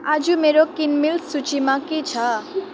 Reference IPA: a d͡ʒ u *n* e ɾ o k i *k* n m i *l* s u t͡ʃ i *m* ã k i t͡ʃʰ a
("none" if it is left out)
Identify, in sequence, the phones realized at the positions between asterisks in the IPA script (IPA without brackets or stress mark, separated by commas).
m, none, l, m